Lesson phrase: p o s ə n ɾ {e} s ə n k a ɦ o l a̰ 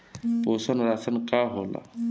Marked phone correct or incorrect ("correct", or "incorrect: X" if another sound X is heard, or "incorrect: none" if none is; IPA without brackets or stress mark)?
incorrect: a